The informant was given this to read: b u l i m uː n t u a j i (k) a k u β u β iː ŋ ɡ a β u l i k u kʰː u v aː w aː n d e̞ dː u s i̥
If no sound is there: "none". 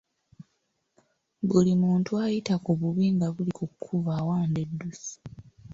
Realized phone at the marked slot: t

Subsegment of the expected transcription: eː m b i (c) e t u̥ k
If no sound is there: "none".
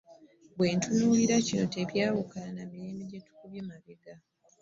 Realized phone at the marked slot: ɟ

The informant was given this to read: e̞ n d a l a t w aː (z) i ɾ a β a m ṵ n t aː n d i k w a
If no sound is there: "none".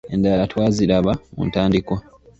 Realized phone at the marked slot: z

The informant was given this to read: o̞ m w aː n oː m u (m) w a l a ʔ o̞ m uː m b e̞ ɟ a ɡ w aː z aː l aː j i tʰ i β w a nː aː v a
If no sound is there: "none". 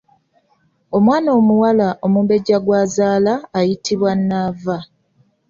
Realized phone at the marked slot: none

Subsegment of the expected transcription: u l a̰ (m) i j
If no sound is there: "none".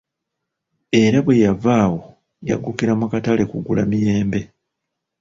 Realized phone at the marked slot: m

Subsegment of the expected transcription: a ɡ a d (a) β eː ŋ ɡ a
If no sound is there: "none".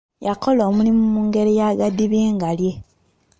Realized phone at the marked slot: i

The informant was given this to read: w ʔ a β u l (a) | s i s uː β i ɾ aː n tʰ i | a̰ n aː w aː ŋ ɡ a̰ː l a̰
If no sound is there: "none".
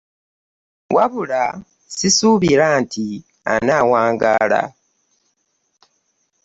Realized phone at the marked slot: a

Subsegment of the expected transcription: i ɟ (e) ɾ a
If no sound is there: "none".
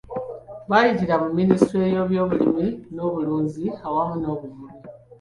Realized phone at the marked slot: i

